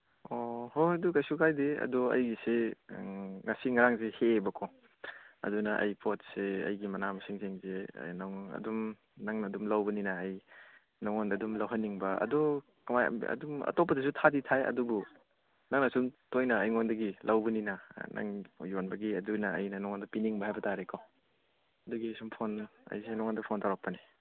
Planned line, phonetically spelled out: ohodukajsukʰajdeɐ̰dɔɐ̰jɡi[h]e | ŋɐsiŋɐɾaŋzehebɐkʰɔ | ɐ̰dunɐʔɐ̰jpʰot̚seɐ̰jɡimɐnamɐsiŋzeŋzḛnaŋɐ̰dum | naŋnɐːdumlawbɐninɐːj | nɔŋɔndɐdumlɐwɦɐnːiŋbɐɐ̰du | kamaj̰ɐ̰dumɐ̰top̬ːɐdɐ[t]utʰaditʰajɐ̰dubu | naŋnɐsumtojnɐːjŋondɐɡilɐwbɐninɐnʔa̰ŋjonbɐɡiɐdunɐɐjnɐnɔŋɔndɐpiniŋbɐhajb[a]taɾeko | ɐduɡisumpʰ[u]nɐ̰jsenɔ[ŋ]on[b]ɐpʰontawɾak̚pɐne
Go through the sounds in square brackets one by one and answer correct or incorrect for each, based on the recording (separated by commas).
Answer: incorrect, incorrect, incorrect, incorrect, correct, incorrect